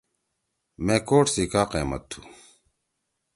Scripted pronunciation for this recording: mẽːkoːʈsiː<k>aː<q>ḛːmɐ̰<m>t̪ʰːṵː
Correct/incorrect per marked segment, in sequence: correct, correct, incorrect: none

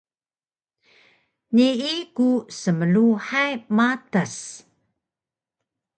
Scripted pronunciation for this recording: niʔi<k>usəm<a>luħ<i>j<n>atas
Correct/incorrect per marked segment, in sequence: correct, incorrect: ə, incorrect: a, incorrect: m

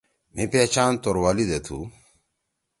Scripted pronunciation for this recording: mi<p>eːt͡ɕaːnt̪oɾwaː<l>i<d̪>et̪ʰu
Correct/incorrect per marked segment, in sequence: correct, correct, correct

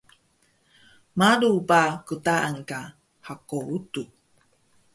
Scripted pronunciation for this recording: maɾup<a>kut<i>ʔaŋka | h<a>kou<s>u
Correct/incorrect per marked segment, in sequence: correct, incorrect: a, correct, incorrect: t

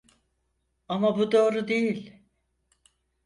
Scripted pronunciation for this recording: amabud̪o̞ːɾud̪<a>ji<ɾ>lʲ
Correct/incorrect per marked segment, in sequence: incorrect: e, incorrect: none

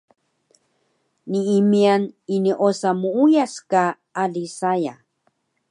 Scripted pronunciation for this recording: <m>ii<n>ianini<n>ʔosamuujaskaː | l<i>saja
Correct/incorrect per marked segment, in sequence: incorrect: n, incorrect: m, incorrect: none, correct

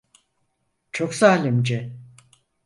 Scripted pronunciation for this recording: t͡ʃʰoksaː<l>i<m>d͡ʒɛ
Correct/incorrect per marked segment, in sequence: correct, correct

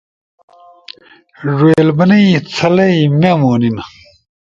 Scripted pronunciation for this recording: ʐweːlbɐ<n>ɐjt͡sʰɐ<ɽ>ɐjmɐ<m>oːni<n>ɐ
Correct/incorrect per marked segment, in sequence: correct, incorrect: l, correct, correct

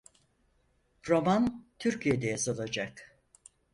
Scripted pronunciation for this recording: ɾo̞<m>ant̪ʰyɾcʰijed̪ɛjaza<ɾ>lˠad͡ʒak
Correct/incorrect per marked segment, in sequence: correct, incorrect: none

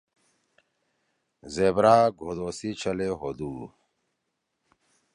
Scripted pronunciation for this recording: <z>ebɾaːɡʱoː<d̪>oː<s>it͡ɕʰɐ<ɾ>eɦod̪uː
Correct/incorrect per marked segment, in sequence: correct, correct, correct, incorrect: l

